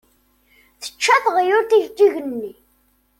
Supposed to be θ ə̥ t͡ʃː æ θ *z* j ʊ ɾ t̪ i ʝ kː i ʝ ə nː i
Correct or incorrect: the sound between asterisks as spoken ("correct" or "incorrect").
incorrect